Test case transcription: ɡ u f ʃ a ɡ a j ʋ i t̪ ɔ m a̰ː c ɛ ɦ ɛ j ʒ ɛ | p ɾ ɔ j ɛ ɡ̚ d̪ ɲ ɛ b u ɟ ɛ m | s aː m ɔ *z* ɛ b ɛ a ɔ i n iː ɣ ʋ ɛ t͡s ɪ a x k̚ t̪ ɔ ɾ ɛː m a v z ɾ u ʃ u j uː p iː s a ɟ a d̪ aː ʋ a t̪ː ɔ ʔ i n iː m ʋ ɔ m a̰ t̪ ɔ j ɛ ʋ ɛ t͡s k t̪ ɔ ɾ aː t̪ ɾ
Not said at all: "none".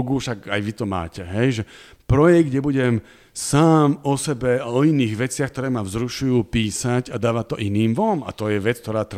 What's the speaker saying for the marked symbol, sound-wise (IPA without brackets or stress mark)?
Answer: s